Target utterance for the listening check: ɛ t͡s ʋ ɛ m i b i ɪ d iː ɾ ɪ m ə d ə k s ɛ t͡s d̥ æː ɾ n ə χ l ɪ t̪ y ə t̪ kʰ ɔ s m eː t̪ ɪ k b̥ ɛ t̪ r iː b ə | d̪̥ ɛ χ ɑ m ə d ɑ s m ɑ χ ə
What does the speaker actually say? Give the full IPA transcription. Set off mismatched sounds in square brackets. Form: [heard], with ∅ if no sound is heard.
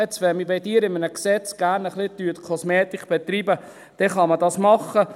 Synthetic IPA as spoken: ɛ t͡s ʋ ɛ m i b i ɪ d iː ɾ ɪ m ə [n] ə k s ɛ t͡s [ɡ̥] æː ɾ n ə χ l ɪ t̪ y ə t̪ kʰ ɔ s m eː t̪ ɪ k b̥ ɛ t̪ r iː b ə | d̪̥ ɛ χ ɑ m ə d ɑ s m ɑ χ ə